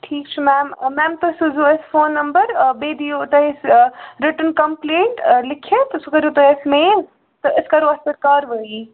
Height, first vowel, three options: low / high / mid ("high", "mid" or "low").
high